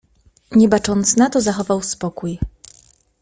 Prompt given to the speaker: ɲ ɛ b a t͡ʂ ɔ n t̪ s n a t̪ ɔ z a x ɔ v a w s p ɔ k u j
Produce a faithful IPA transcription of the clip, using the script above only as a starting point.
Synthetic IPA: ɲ ɛ b a t͡ʂ ɔ n t̪ s n a t̪ ɔ z a x ɔ v a w s p ɔ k u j